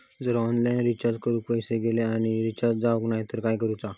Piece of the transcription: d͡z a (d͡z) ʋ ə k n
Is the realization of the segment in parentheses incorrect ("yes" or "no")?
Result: yes